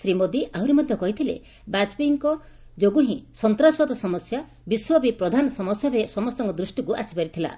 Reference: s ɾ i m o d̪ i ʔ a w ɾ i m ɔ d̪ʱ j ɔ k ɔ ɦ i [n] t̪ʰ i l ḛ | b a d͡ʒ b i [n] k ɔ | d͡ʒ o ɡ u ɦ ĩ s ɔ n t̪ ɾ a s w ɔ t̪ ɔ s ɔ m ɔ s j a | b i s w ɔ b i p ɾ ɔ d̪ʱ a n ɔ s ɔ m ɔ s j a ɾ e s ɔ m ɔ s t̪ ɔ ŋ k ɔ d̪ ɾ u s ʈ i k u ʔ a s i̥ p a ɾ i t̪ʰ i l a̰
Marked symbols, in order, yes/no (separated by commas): no, no